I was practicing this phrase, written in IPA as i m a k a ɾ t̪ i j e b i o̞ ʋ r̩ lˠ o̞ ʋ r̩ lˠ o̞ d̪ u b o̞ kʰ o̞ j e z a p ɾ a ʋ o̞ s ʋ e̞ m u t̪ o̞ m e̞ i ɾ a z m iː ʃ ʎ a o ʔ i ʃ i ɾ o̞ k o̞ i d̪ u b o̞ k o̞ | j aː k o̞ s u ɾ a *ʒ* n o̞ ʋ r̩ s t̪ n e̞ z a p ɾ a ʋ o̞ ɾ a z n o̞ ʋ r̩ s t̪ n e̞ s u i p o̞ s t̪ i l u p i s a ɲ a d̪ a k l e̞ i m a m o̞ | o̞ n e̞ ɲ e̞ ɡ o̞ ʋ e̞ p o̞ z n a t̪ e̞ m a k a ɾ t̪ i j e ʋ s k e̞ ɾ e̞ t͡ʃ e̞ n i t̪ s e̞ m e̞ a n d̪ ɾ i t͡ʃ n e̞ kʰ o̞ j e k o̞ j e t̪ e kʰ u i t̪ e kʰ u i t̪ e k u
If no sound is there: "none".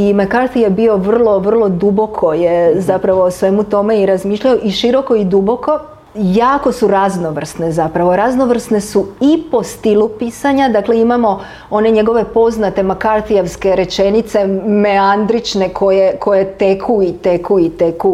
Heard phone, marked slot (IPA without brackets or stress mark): z